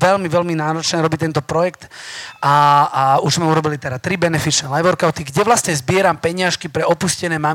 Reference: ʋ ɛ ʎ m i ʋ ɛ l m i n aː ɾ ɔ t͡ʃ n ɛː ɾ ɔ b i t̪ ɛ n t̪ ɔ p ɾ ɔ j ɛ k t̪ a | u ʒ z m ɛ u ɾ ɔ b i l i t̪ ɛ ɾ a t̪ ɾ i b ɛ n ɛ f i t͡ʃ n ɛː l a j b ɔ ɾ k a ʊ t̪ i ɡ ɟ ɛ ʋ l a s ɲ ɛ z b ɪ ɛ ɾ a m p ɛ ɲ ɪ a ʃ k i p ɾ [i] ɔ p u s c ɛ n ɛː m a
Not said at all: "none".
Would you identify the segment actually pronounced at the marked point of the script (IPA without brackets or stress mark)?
ɛ